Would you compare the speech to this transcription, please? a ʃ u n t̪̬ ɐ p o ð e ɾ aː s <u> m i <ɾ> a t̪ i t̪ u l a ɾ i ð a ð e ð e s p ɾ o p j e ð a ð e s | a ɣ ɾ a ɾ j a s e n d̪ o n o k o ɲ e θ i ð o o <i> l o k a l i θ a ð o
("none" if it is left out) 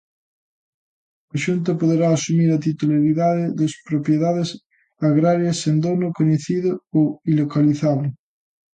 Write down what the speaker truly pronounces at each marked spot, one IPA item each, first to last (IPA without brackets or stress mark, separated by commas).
u, ɾ, i